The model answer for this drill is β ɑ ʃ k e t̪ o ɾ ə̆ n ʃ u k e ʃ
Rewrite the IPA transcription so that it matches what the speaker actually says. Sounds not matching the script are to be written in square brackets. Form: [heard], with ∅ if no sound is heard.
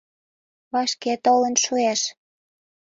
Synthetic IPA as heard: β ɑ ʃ k e t̪ o [l] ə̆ n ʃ u [∅] e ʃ